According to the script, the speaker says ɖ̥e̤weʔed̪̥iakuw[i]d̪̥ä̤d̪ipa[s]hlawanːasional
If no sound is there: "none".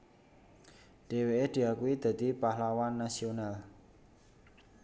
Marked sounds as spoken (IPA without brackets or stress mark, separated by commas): i, none